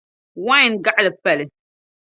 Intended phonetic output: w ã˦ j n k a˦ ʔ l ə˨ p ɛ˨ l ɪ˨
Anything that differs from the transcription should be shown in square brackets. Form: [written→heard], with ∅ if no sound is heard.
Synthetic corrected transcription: w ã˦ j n [k→ɡ] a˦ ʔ l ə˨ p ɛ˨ l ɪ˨